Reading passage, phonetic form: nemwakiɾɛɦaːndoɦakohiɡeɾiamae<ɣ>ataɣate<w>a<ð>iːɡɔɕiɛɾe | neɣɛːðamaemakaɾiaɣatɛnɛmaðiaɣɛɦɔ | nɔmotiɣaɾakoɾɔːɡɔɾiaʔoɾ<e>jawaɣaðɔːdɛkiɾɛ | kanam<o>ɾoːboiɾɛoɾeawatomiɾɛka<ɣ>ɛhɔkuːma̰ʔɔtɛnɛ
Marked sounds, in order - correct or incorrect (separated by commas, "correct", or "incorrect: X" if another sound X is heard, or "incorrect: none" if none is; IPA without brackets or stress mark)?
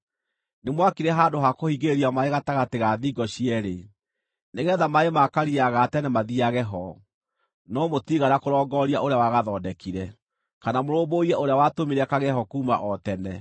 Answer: correct, incorrect: ɣ, correct, correct, correct, correct